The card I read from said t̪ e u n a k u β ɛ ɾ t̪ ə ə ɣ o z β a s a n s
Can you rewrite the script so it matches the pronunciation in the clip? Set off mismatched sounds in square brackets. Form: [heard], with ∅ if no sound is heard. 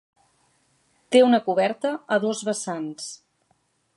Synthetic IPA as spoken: t̪ e u n [ə] k u β ɛ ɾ t̪ ə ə [ð] o z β [ə] s a n s